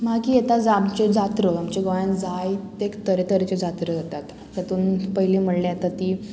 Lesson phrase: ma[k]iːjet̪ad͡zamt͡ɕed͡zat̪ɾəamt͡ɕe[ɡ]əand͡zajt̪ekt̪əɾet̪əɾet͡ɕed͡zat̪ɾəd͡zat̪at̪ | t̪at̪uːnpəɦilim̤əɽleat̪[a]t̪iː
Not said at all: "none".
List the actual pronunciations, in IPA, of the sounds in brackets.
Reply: k, ɡ, a

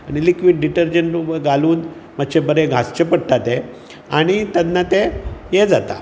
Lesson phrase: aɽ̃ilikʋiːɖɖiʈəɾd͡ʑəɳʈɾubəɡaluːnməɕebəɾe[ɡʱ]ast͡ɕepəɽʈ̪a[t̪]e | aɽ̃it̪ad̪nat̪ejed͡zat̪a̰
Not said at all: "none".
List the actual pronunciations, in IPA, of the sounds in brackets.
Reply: ɡʱ, t̪

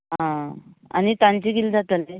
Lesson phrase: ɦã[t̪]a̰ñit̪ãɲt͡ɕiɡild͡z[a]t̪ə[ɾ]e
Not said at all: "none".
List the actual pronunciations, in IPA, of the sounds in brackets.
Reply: none, a, l

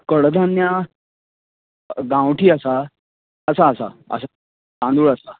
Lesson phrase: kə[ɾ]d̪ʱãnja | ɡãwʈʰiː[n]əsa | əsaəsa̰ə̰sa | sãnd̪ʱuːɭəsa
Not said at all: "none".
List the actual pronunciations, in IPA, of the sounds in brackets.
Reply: ɽ, none

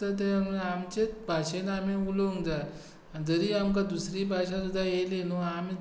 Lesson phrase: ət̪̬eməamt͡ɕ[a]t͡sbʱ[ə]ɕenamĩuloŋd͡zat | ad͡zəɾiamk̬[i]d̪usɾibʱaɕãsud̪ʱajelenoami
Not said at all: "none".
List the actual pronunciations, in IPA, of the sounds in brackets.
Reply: e, a, a

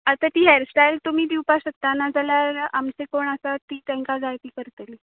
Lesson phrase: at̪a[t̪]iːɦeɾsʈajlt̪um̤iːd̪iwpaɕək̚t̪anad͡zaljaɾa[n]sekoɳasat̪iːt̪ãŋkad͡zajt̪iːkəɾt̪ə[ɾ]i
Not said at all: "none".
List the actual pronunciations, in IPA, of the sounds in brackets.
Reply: t̪, m, l

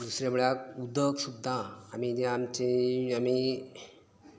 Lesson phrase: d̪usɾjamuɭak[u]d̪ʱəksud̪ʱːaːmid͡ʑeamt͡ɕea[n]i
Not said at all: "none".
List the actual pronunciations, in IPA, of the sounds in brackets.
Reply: u, m

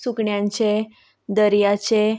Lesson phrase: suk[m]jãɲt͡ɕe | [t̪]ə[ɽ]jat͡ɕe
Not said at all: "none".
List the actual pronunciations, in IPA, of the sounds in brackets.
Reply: ɳ, d̪, ɾ

